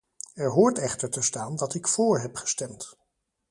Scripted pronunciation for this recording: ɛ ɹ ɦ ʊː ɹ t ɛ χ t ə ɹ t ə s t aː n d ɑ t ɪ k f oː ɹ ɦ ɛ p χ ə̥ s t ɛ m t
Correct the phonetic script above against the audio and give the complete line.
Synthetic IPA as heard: ɛ ɹ ɦ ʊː ɹ t ɛ χ t ə ɹ t ə s t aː n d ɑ t ɪ k f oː ɹ ɦ ɛ p χ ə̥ s t ɛ m t